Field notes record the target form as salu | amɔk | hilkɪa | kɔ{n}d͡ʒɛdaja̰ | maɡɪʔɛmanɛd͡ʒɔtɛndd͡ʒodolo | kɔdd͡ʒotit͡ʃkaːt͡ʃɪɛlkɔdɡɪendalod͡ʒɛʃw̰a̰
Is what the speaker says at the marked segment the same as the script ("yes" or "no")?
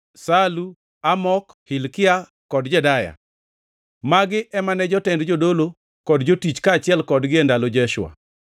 no